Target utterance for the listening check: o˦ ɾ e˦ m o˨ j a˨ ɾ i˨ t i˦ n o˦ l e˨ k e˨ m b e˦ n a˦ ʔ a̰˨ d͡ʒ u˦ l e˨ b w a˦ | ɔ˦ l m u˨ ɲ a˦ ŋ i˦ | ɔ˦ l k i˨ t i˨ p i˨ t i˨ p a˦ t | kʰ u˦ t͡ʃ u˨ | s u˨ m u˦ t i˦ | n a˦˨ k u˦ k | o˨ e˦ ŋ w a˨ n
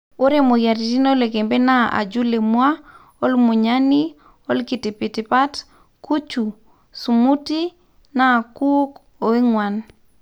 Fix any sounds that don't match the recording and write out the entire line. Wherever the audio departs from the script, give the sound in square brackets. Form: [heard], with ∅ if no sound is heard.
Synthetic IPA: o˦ ɾ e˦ m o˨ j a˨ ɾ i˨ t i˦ n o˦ l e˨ k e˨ m b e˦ n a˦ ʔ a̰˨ d͡ʒ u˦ l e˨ [m] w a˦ | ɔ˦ l m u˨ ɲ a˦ [n] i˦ | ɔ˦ l k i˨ t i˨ p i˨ t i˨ p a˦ t | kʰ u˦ t͡ʃ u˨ | s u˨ m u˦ t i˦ | n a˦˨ k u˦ k | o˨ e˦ ŋ w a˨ n

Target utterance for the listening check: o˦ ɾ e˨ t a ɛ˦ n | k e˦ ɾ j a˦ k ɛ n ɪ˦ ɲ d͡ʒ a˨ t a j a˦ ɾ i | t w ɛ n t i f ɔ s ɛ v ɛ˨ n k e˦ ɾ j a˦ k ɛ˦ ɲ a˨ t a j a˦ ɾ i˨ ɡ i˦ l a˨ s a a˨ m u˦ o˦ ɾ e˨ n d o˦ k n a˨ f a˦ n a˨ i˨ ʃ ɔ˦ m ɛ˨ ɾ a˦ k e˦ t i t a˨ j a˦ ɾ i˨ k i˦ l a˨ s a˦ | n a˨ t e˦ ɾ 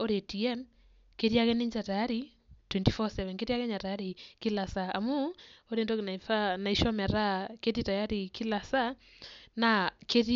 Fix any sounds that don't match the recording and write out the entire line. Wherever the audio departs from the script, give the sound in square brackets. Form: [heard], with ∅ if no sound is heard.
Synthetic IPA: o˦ ɾ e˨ t [i] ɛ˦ [m] | k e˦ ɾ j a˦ k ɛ n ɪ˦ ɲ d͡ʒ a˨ t a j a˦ ɾ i | t w ɛ n t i f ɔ s ɛ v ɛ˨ n k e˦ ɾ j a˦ k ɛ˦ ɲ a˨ t a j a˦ ɾ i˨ [k] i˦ l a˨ s a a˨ m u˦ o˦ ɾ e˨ n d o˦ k n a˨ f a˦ n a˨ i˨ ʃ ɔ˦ m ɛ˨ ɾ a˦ k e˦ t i t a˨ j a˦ ɾ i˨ k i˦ l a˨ s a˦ | n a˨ [k] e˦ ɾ

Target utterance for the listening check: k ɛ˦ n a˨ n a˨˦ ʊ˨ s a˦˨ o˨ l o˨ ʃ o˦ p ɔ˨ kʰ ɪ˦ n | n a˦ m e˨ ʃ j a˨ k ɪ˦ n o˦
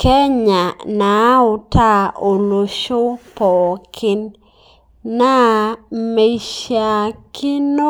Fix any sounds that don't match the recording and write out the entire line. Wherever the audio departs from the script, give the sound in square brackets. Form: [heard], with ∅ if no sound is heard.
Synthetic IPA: k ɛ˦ [ɲ] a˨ n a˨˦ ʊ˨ [t] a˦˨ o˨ l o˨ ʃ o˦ p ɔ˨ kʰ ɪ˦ n | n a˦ m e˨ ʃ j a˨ k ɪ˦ n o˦

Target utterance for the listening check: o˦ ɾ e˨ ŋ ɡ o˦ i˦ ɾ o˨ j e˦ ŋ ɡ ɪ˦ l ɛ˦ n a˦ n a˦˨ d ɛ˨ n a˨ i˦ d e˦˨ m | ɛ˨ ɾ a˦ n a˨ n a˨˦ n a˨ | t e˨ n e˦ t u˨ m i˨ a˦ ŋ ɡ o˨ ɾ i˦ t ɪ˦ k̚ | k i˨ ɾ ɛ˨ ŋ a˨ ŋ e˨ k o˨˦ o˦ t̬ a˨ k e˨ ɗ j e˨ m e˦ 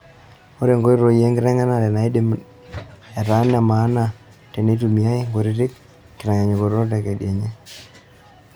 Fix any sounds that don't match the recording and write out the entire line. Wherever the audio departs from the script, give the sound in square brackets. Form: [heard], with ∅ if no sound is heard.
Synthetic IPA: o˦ ɾ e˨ ŋ ɡ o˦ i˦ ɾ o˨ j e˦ ŋ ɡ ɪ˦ [ɾ] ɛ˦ [ŋ] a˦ n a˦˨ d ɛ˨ n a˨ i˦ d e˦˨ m | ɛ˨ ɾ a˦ n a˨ [m] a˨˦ n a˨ | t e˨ n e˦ t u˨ m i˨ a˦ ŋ ɡ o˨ ɾ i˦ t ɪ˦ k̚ | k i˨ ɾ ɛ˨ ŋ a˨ [ɲ] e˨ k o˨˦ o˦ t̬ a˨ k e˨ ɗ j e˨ [ɲ] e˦

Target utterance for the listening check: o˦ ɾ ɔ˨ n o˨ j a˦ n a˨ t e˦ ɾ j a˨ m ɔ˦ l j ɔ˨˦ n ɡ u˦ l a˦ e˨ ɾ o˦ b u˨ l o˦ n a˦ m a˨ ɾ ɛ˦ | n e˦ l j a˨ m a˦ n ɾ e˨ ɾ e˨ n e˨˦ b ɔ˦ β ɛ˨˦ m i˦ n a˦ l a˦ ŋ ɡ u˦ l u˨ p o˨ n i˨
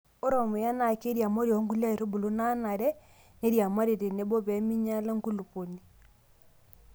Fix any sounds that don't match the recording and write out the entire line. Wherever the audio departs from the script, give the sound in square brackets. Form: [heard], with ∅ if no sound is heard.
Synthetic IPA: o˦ ɾ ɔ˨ [m] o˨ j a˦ n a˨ [k] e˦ ɾ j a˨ m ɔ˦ [ɾ] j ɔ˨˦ [ŋ] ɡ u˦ l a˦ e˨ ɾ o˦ b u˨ l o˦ n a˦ [n] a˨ ɾ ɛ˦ | n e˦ [ɾ] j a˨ m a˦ [∅] ɾ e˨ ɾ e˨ n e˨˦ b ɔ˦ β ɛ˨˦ m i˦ [ɲ] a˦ l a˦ ŋ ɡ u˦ l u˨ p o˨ n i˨

